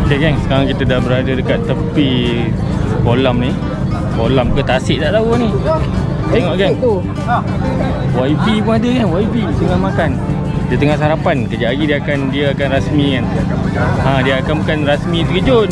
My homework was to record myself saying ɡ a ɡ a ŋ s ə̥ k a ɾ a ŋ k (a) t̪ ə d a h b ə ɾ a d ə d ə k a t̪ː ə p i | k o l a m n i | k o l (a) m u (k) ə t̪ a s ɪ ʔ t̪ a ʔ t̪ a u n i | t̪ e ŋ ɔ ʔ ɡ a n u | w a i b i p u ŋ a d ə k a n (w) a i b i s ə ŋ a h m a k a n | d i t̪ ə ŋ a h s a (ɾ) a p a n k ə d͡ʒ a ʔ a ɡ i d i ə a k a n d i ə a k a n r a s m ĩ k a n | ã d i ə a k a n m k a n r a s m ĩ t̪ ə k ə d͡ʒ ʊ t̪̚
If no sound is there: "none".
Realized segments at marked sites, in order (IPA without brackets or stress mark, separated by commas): i, a, k, w, ɾ